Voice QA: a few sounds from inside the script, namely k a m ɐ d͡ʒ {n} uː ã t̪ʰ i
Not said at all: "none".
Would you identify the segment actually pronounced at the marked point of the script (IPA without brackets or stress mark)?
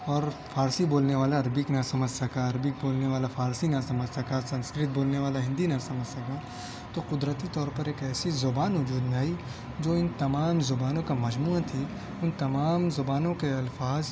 m